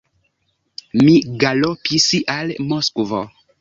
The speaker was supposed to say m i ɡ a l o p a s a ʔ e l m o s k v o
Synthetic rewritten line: m i ɡ a l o p i s i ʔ a l m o s k v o